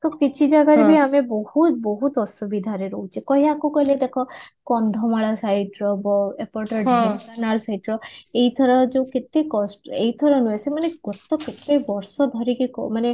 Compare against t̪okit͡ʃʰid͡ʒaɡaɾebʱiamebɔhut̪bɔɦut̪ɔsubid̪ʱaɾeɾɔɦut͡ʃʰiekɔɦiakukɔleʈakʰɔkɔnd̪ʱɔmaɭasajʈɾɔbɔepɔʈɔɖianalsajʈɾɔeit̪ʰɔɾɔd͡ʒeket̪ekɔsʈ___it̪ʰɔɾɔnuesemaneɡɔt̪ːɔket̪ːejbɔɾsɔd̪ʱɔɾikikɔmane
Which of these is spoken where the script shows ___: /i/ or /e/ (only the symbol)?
e